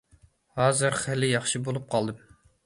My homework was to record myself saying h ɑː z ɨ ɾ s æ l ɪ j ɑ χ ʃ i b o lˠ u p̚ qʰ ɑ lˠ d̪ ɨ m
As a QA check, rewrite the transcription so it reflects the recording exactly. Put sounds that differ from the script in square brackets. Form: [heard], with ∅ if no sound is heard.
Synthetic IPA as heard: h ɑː z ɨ ɾ [χ] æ l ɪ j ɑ χ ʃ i b o lˠ u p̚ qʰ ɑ lˠ d̪ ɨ m

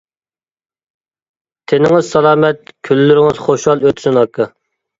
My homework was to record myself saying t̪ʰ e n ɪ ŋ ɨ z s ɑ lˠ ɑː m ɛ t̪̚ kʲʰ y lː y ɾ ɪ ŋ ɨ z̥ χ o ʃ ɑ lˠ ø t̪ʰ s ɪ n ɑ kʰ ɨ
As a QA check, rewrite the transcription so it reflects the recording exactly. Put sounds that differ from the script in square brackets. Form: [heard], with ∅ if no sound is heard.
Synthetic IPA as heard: t̪ʰ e n ɪ ŋ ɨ z s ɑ lˠ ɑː m ɛ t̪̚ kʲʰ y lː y ɾ ɪ ŋ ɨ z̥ χ o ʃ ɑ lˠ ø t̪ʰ s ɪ n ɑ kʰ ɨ

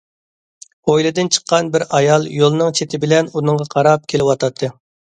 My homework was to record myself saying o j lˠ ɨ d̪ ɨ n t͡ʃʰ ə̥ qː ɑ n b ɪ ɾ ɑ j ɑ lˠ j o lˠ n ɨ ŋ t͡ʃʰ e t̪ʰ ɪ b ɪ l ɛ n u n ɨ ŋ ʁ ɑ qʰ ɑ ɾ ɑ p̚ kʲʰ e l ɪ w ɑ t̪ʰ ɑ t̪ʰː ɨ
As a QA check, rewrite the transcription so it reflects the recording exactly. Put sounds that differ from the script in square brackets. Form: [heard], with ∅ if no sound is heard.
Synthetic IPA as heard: o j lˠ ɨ d̪ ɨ n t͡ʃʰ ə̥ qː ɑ n b ɪ ɾ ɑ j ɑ lˠ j o lˠ n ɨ ŋ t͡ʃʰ e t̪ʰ ɪ b ɪ l ɛ n u n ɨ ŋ ʁ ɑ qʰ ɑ ɾ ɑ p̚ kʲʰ e l ɪ w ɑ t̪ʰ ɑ t̪ʰː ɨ

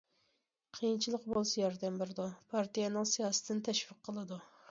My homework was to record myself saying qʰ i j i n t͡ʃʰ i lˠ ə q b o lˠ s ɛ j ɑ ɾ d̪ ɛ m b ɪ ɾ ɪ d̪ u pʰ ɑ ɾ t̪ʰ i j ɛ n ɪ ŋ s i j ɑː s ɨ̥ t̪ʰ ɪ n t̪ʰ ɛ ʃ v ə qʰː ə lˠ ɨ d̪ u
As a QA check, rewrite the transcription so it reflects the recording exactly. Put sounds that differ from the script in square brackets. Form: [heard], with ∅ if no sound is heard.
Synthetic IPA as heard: qʰ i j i n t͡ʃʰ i lˠ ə q b o lˠ s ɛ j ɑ ɾ d̪ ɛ m b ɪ ɾ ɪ d̪ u pʰ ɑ ɾ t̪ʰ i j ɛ n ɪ ŋ s i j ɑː s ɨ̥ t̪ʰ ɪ n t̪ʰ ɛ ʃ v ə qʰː ə lˠ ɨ d̪ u

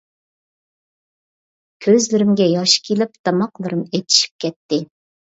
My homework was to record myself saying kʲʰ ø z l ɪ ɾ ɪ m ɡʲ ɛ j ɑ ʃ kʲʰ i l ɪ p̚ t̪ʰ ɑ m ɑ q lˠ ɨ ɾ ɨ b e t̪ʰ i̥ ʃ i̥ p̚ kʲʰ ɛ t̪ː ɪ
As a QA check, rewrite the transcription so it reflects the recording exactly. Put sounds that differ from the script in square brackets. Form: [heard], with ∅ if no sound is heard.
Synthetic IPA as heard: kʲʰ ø z l ɪ ɾ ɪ m ɡʲ ɛ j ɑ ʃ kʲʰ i l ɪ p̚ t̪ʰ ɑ m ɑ q lˠ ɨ ɾ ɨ [m] e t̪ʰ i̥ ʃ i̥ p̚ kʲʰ ɛ t̪ː ɪ

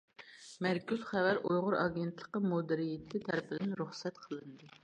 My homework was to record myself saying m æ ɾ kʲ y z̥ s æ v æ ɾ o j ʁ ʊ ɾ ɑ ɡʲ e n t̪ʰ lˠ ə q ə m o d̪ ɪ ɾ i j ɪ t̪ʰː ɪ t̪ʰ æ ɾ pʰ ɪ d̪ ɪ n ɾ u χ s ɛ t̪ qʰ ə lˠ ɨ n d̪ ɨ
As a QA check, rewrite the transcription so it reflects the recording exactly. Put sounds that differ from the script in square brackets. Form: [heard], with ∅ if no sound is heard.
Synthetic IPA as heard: m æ ɾ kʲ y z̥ [χ] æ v æ ɾ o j ʁ ʊ ɾ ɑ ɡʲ e n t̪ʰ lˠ ə q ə m o d̪ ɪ ɾ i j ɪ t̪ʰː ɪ t̪ʰ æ ɾ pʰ ɪ d̪ ɪ n ɾ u χ s ɛ t̪ qʰ ə lˠ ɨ n d̪ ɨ

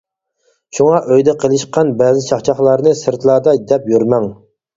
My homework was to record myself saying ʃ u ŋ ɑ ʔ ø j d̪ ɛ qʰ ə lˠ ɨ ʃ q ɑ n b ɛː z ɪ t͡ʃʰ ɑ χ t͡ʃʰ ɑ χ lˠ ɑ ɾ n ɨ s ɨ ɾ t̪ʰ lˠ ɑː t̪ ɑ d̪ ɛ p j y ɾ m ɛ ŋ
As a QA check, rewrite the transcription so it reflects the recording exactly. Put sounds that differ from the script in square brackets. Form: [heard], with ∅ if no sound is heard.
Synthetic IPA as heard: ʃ u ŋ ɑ ʔ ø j d̪ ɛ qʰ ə lˠ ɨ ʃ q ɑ n b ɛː z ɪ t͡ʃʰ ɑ χ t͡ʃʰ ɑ χ lˠ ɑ ɾ n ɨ s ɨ ɾ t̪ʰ lˠ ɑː [d̪] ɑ d̪ ɛ p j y ɾ m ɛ ŋ

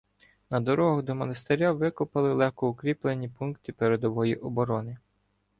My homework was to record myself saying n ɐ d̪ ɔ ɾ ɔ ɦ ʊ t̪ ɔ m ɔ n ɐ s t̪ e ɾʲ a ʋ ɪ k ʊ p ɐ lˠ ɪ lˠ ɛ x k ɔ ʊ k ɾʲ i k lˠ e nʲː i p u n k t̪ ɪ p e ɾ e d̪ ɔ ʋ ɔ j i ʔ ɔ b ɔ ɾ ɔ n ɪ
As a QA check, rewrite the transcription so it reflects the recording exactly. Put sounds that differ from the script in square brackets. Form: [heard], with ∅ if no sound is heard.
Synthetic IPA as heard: n ɐ d̪ ɔ ɾ ɔ ɦ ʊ [d̪] ɔ m ɔ n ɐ s t̪ e ɾʲ a ʋ ɪ k ʊ p ɐ lˠ ɪ lˠ ɛ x k ɔ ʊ k ɾʲ i [p] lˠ e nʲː i p u n k t̪ ɪ p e ɾ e d̪ ɔ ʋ ɔ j i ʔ ɔ b ɔ ɾ ɔ n ɪ

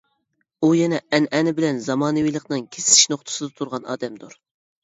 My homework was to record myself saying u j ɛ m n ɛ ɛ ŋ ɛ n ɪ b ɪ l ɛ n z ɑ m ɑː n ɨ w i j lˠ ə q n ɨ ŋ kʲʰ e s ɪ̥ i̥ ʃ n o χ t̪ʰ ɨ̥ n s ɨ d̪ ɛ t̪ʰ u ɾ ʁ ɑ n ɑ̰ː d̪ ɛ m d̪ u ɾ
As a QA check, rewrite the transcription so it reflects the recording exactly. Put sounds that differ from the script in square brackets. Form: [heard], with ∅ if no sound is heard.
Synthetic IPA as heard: u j ɛ [∅] n ɛ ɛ [n] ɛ n ɪ b ɪ l ɛ n z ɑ m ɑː n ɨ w i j lˠ ə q n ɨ ŋ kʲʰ e s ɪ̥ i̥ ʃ n o χ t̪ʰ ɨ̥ [∅] s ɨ d̪ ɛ t̪ʰ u ɾ ʁ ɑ n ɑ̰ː d̪ ɛ m d̪ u ɾ

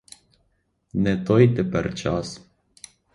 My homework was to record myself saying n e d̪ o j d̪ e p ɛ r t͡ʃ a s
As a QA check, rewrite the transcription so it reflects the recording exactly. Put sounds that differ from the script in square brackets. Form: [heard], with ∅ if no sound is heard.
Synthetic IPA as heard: n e [t̪] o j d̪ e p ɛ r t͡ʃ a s

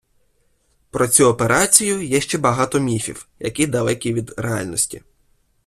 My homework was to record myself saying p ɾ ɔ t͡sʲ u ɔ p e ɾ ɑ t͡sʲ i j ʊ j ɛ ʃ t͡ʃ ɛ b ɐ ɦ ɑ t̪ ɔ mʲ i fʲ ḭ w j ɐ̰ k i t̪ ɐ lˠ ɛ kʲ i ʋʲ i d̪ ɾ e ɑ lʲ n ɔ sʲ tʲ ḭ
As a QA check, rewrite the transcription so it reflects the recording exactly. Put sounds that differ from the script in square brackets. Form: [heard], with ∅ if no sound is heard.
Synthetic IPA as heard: p ɾ ɔ t͡sʲ u ɔ p e ɾ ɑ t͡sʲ i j ʊ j ɛ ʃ t͡ʃ ɛ b ɐ ɦ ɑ t̪ ɔ mʲ i fʲ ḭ w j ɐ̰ k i [d̪] ɐ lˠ ɛ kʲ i ʋʲ i d̪ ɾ e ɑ lʲ n ɔ sʲ tʲ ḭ

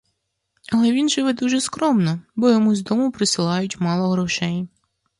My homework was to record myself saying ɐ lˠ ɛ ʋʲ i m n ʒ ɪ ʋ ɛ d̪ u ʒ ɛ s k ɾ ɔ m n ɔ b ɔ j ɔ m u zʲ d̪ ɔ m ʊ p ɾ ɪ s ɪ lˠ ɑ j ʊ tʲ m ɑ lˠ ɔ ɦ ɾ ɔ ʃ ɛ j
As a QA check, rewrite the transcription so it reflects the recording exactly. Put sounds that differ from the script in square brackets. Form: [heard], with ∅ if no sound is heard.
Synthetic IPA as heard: ɐ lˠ ɛ ʋʲ i [∅] n ʒ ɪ ʋ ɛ d̪ u ʒ ɛ s k ɾ ɔ m n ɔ b ɔ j ɔ m u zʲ d̪ ɔ m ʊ p ɾ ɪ s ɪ lˠ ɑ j ʊ tʲ m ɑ lˠ ɔ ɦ ɾ ɔ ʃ ɛ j

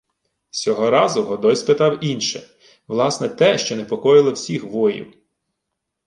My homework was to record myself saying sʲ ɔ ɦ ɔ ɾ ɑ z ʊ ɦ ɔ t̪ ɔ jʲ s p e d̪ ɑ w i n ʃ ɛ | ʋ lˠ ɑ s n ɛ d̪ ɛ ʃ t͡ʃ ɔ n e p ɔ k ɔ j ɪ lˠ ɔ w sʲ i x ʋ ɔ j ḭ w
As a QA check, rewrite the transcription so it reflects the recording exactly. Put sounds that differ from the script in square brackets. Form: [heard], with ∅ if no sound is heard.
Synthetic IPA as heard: sʲ ɔ ɦ ɔ ɾ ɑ z ʊ ɦ ɔ [d̪] ɔ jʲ s p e [t̪] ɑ w i n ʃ ɛ | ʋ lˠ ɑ s n ɛ [t̪] ɛ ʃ t͡ʃ ɔ n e p ɔ k ɔ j ɪ lˠ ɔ w sʲ i x ʋ ɔ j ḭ w

